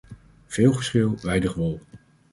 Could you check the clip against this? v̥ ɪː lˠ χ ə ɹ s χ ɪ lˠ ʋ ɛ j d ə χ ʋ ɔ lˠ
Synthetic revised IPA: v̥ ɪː lˠ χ ə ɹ s χ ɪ lˠ ʋ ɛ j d ə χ ʋ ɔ lˠ